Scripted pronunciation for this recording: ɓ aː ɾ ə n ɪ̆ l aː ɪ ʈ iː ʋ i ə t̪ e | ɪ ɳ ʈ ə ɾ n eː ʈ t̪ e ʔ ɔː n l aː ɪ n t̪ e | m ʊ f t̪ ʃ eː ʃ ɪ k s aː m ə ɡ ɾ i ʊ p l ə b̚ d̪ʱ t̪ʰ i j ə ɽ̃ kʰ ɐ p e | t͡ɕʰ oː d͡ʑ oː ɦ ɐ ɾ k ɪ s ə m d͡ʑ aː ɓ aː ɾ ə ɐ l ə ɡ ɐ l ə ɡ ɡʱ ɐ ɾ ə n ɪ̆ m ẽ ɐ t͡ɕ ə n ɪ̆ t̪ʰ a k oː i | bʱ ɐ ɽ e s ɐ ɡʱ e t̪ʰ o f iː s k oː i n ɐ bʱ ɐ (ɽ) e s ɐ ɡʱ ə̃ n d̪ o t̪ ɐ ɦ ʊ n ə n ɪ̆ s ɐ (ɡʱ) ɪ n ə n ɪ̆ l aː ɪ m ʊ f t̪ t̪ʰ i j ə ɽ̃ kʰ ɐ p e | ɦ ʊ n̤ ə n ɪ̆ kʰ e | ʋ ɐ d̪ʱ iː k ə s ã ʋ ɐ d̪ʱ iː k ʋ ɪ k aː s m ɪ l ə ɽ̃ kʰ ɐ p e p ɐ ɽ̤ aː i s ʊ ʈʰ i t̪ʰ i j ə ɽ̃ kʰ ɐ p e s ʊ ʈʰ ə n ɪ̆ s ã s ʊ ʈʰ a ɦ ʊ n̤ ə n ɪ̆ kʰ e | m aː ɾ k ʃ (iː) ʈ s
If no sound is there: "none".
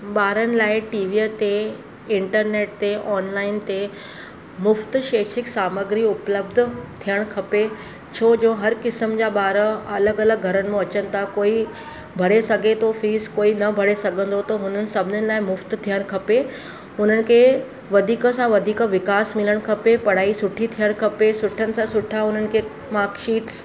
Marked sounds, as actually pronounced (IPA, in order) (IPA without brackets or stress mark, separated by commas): ɽ, bʱ, iː